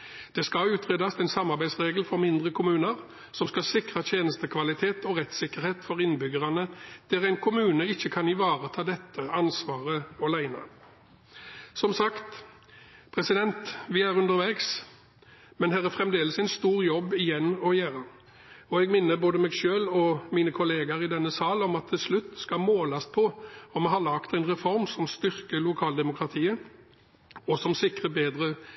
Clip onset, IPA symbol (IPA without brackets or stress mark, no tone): d̪̥